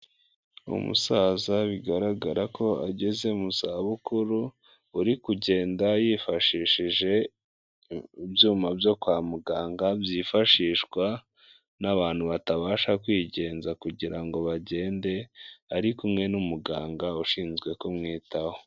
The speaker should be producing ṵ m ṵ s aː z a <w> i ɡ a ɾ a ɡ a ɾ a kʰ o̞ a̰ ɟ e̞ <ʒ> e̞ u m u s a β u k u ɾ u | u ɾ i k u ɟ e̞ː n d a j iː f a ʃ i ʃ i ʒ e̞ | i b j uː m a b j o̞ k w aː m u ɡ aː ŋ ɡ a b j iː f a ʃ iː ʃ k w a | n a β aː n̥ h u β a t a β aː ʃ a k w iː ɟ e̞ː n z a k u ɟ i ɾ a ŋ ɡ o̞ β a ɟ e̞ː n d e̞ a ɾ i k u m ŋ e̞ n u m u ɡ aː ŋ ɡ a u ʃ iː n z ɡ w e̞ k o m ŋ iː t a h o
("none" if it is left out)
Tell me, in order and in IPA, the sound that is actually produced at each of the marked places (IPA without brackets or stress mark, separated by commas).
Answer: β, z